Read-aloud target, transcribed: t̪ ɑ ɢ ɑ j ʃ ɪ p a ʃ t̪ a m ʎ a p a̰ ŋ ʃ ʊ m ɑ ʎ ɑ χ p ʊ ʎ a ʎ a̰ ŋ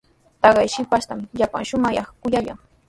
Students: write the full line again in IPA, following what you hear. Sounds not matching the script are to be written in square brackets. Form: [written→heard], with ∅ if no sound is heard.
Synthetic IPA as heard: t̪ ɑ ɢ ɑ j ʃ ɪ p a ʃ t̪ a m ʎ a p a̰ ŋ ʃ ʊ m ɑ [ʎ→j] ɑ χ [p→k] ʊ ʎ a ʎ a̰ ŋ